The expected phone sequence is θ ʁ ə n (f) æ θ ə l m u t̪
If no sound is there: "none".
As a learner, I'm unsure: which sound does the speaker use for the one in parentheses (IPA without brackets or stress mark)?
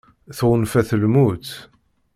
f